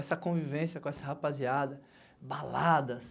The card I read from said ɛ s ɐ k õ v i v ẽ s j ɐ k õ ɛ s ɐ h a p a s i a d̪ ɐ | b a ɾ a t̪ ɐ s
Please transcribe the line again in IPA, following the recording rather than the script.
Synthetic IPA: ɛ s ɐ k õ v i v ẽ s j ɐ k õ ɛ s ɐ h a p a z i a d̪ ɐ | b a l a d̪ ɐ s